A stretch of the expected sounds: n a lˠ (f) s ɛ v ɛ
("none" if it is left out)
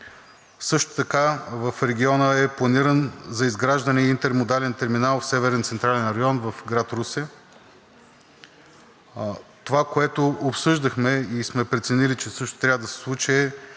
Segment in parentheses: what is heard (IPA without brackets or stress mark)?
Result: f